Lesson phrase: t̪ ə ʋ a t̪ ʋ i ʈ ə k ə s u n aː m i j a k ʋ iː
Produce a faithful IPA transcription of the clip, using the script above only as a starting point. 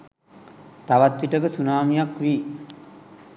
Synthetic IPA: t̪ a ʋ a t̪ ʋ i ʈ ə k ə s u n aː m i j a k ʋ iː